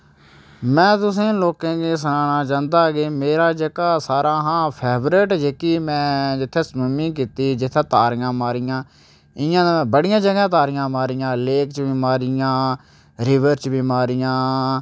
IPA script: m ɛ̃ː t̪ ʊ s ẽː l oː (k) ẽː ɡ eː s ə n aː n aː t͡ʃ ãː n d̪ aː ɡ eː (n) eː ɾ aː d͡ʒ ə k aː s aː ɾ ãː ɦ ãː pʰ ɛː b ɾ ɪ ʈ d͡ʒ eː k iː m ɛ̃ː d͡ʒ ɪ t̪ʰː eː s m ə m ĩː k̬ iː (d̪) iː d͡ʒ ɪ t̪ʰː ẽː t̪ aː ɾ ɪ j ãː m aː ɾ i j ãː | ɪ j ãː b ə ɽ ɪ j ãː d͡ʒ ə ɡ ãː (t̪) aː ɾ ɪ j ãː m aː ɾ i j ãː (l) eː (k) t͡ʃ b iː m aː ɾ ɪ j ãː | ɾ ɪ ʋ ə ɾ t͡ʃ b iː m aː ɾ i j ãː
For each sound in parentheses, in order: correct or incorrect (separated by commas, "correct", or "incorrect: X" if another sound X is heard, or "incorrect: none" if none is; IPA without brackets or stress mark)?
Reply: correct, incorrect: m, incorrect: t̪, correct, correct, correct